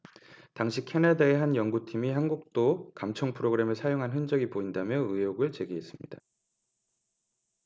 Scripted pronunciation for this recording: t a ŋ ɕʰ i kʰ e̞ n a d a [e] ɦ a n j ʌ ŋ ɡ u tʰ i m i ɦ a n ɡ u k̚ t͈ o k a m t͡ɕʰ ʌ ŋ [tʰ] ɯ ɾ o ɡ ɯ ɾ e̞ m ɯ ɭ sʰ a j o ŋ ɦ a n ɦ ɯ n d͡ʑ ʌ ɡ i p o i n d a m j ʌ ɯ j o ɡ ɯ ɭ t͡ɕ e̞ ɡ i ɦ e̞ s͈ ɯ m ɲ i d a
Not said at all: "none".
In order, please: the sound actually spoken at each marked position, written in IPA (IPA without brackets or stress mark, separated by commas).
e, pʰ